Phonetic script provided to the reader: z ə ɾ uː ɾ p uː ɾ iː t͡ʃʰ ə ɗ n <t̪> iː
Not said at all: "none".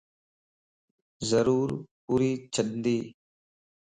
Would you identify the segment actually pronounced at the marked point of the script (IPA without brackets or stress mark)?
d̪